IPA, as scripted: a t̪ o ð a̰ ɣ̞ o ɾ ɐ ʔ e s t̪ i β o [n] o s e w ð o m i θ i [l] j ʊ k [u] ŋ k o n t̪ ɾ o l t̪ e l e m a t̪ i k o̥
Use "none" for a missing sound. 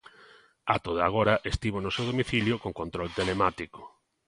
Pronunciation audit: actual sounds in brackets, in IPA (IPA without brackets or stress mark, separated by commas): n, l, o